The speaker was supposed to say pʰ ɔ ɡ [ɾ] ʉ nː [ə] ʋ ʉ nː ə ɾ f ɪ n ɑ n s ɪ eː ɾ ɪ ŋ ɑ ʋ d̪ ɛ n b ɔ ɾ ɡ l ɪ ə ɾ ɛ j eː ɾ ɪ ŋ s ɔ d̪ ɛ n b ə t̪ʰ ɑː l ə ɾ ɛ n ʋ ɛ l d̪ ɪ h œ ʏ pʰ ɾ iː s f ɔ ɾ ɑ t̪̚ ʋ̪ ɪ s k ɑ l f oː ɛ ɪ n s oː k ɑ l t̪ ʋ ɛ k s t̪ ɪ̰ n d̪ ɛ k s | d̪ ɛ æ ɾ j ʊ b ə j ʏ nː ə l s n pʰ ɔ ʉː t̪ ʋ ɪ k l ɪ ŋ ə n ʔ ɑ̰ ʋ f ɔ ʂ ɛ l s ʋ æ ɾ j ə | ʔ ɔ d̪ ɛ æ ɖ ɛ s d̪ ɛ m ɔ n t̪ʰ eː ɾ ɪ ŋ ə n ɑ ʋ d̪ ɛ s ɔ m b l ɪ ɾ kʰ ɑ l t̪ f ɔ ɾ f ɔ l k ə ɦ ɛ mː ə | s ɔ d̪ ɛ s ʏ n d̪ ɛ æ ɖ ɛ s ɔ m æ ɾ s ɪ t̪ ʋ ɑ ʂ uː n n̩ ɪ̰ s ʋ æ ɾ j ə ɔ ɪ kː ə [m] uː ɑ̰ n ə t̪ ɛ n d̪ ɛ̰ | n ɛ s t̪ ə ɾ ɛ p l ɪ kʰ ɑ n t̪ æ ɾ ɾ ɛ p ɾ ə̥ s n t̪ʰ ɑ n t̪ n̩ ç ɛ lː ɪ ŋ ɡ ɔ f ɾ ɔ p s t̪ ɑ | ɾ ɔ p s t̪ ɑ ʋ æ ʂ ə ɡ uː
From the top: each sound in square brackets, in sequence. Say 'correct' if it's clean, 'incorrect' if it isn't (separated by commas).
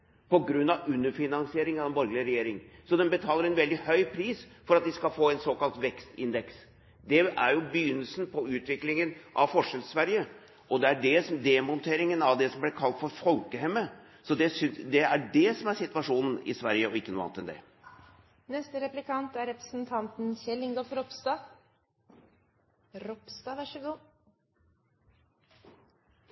correct, incorrect, incorrect